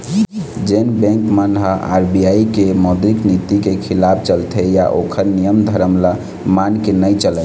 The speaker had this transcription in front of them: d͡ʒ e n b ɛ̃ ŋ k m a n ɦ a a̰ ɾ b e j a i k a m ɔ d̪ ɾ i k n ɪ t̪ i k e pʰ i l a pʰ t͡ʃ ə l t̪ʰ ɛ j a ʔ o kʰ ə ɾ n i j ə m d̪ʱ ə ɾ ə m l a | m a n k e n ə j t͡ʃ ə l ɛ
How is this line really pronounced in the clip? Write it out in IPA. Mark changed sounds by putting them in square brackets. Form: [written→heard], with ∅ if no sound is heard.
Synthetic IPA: d͡ʒ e n b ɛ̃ ŋ k m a n ɦ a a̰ ɾ b [e→i] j a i k [a→e] m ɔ d̪ ɾ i k n [ɪ→i] t̪ i k e [pʰ→kʰ] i l a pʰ t͡ʃ ə l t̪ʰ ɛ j a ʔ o kʰ ə ɾ n i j ə m d̪ʱ ə ɾ ə m l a | m a n k e n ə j t͡ʃ ə l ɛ